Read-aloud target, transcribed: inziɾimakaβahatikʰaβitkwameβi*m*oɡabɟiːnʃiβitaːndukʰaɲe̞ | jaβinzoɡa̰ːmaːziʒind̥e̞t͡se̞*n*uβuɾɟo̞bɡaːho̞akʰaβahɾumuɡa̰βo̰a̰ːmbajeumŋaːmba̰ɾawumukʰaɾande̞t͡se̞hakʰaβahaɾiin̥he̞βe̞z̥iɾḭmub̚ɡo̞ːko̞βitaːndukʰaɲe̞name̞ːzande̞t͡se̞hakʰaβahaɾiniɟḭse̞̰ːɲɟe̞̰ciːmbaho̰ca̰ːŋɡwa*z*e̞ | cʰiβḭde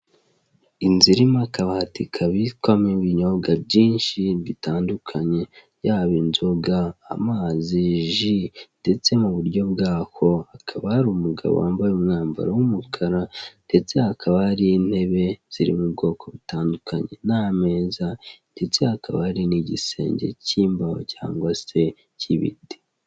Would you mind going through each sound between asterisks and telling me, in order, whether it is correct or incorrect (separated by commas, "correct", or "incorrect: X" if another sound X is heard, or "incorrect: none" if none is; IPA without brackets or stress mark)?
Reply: incorrect: ɲ, incorrect: m, incorrect: s